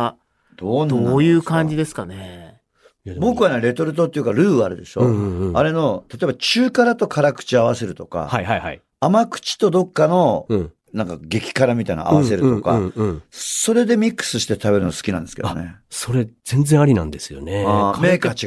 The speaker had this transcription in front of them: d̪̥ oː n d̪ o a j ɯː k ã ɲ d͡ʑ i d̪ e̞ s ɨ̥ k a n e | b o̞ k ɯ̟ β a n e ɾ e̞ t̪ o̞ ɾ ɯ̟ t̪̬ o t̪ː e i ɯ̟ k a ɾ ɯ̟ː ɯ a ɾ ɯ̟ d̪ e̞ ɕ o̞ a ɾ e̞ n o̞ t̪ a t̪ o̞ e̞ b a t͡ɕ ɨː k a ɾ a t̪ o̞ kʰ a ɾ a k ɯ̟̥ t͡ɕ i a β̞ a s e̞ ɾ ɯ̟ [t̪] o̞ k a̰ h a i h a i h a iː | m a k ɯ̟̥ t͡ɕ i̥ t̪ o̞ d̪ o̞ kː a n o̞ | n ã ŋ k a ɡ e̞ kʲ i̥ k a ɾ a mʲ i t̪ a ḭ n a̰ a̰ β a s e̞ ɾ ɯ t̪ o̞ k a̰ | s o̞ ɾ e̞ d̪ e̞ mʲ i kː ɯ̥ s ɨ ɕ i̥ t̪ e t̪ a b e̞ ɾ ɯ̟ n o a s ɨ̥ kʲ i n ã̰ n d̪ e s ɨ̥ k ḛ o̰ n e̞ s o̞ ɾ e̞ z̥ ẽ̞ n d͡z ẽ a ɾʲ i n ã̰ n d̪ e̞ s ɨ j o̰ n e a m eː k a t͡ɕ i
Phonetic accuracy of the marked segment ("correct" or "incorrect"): correct